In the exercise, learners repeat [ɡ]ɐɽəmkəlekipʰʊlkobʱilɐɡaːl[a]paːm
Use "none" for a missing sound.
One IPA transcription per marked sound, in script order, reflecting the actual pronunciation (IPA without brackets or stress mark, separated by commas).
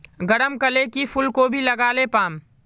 ɡ, e